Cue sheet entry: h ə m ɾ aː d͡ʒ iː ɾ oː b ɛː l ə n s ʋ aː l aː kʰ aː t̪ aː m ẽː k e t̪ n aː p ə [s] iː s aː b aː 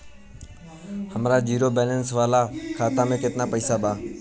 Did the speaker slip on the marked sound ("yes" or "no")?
yes